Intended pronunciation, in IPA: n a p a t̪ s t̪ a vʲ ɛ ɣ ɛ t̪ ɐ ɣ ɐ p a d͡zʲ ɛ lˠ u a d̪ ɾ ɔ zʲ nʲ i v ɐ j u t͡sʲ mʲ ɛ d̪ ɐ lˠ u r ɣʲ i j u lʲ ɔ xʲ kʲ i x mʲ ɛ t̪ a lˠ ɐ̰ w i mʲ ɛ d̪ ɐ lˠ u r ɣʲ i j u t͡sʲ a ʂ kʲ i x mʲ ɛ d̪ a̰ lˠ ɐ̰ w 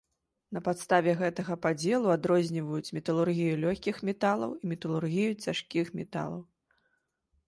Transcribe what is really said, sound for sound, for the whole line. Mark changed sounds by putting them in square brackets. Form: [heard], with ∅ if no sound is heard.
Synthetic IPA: n [ɐ] p a t̪ s t̪ a vʲ ɛ ɣ ɛ t̪ ɐ ɣ ɐ p a d͡zʲ ɛ lˠ u a d̪ ɾ ɔ zʲ nʲ i v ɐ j u t͡sʲ mʲ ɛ [t̪] ɐ lˠ u r ɣʲ i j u lʲ ɔ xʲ kʲ i x mʲ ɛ t̪ a lˠ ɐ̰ w i mʲ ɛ [t̪] ɐ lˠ u r ɣʲ i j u t͡sʲ a ʂ kʲ i x mʲ ɛ [t̪] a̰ lˠ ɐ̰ w